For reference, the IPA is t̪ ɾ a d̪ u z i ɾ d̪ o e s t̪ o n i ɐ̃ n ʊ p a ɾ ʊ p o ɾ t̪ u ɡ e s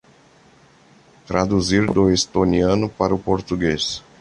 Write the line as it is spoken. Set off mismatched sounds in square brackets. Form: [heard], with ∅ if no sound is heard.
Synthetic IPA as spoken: t̪ ɾ a d̪ u z i ɾ d̪ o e s t̪ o n i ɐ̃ n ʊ p a ɾ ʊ p o ɾ t̪ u ɡ e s